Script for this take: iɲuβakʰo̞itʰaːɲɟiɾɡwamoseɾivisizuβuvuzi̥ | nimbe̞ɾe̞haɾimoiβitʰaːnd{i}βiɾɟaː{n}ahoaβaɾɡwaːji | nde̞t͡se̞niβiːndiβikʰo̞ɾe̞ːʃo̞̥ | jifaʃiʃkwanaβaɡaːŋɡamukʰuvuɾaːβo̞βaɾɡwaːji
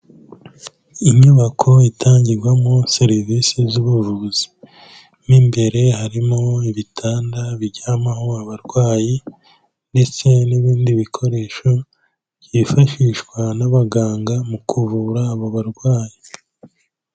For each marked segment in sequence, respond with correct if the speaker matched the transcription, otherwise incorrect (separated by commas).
incorrect, incorrect